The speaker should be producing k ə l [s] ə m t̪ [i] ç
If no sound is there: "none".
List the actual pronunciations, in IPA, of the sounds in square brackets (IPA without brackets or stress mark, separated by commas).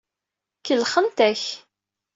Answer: χ, æ